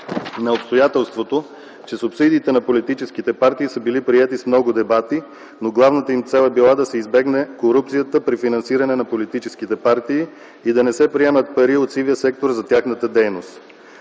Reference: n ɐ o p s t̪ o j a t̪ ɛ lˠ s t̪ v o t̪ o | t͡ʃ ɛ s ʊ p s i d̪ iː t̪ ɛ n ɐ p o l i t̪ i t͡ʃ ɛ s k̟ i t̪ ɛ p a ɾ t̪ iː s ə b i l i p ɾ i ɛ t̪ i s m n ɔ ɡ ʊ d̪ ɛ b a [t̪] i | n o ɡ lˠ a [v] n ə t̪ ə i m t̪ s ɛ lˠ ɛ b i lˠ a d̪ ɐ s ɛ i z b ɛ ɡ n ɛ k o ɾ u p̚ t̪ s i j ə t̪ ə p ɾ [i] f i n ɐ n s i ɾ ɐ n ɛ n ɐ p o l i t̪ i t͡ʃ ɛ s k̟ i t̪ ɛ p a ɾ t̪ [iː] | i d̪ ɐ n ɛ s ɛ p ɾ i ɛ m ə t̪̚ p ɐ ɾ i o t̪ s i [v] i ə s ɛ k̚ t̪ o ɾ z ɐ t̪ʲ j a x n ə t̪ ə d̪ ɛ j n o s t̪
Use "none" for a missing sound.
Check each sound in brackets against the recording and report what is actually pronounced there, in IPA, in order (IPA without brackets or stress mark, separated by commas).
t̪, v, i, iː, v